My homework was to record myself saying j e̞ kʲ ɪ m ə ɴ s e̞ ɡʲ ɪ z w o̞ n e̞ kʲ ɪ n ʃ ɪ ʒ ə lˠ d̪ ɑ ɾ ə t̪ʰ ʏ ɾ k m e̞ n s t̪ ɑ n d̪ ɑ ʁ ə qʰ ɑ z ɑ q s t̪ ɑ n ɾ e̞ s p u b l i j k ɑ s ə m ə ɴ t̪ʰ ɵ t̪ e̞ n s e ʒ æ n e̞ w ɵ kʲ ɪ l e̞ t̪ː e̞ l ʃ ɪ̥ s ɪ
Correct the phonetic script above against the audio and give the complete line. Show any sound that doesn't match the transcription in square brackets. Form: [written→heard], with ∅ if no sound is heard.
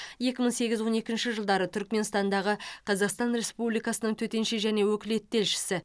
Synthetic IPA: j e̞ kʲ ɪ m ə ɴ s e̞ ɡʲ ɪ z w o̞ n e̞ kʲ ɪ n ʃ ɪ ʒ ə lˠ d̪ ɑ ɾ ə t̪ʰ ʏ ɾ k m e̞ n s t̪ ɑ n d̪ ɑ ʁ ə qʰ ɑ z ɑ q s t̪ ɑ n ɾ e̞ s p u b l i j k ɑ s ə [m→n] ə ɴ t̪ʰ ɵ t̪ e̞ n [s→ʃ] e ʒ æ n e̞ w ɵ kʲ ɪ l e̞ t̪ː e̞ l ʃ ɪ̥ s ɪ

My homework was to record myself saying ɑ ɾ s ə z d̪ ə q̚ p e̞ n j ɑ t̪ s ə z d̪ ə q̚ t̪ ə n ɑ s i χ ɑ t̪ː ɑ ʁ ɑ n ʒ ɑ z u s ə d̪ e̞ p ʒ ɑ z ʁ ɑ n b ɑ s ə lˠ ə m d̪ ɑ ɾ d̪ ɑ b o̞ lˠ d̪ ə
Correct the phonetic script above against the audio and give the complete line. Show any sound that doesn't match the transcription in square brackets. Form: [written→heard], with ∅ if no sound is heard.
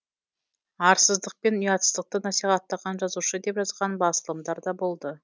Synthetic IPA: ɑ ɾ s ə z d̪ ə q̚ p e̞ n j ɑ t̪ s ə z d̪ ə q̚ t̪ ə n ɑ s i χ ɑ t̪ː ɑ ʁ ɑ n ʒ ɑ z u [s→ʃ] ə d̪ e̞ p ʒ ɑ z ʁ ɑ n b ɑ s ə lˠ ə m d̪ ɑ ɾ d̪ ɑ b o̞ lˠ d̪ ə

